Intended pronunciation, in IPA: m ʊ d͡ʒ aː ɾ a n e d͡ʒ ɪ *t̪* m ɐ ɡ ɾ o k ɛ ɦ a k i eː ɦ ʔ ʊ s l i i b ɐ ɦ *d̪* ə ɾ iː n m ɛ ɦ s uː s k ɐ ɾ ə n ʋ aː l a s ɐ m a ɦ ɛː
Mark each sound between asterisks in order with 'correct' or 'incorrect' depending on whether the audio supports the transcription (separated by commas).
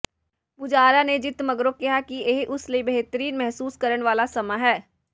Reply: correct, incorrect